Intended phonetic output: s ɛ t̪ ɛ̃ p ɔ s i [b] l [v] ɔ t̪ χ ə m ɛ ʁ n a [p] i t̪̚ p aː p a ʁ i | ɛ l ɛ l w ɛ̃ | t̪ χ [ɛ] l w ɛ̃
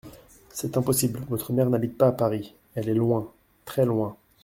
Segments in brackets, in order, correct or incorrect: correct, correct, incorrect: b, correct

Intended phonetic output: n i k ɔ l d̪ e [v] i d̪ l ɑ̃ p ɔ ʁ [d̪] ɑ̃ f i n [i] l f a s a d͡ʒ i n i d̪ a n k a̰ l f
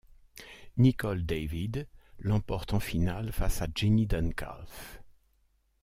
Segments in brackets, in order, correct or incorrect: correct, incorrect: t̪, incorrect: a

